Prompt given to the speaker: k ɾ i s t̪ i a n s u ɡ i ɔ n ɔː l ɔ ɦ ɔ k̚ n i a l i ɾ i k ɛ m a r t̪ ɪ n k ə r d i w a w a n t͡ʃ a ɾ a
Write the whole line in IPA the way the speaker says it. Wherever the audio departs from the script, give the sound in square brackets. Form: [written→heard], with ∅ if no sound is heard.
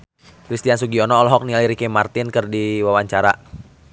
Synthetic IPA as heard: k ɾ i s t̪ i a n s u ɡ i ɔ n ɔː l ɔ ɦ ɔ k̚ n i a l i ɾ i k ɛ m a r t̪ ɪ n k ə r d i w a w a [n→ɲ] t͡ʃ a ɾ a